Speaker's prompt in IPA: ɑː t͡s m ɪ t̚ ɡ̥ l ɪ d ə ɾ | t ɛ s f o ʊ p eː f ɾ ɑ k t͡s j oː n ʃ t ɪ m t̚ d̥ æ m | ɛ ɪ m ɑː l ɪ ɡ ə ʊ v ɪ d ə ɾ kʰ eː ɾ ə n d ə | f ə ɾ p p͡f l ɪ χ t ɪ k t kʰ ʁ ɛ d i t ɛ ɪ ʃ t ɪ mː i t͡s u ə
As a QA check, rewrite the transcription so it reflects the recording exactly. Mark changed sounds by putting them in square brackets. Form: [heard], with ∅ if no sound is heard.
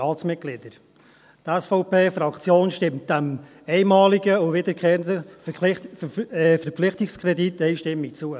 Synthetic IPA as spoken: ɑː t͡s m ɪ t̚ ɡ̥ l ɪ d ə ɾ | t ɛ s f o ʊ p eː f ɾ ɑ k t͡s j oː n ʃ t ɪ m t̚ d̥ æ m | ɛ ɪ m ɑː l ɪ ɡ ə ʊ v ɪ d ə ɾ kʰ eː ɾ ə n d ə | f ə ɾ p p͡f l ɪ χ t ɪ k [s] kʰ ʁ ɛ d i t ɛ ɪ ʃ t ɪ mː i t͡s u ə